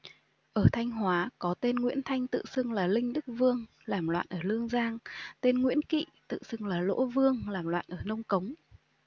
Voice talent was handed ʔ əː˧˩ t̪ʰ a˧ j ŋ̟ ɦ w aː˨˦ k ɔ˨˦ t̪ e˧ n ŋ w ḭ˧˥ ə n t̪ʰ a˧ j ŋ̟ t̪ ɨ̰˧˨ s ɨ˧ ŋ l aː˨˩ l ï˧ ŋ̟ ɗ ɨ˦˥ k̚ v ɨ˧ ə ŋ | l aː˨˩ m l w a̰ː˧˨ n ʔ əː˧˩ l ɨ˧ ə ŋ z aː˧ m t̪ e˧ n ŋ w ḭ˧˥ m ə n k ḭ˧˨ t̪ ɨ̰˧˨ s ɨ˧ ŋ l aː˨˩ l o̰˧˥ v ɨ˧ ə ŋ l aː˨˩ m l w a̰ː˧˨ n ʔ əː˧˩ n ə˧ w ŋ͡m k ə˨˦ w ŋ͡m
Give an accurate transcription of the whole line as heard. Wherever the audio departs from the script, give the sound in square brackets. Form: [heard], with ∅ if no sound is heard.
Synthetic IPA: ʔ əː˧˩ t̪ʰ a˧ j ŋ̟ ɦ w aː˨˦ k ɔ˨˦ t̪ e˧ n ŋ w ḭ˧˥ ə n t̪ʰ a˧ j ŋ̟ t̪ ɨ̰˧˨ s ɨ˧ ŋ l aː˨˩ l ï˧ ŋ̟ ɗ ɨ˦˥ k̚ v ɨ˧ ə ŋ | l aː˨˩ m l w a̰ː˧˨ n ʔ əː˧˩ l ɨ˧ ə ŋ z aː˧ [ŋ] t̪ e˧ n ŋ w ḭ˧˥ [∅] ə n k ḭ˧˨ t̪ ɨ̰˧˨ s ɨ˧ ŋ l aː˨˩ l o̰˧˥ v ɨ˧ ə ŋ l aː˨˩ m l w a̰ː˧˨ n ʔ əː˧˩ n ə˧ w ŋ͡m k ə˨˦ w ŋ͡m